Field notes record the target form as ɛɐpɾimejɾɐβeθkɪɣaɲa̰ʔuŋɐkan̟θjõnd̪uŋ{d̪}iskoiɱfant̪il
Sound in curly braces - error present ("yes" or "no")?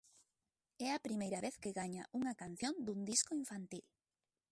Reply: no